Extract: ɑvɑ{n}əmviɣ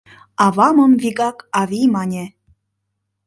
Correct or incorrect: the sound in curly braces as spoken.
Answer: incorrect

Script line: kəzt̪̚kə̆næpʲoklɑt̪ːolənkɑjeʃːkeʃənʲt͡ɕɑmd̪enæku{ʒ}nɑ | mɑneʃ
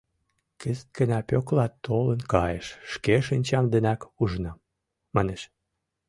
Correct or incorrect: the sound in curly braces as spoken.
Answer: correct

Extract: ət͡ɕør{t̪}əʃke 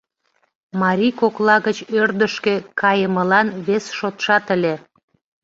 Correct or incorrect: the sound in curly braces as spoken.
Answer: incorrect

